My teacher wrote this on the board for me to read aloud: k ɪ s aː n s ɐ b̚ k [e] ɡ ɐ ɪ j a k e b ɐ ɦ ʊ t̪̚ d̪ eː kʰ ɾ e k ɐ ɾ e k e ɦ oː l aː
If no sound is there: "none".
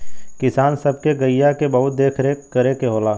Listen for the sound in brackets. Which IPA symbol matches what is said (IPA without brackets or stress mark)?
e